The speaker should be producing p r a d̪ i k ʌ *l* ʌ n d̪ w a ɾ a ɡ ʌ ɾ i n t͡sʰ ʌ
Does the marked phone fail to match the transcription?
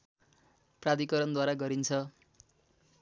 yes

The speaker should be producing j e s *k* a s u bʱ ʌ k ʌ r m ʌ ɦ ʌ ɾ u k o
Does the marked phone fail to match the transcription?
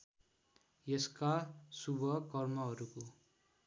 no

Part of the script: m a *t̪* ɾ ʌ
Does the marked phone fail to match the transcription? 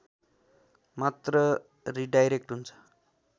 no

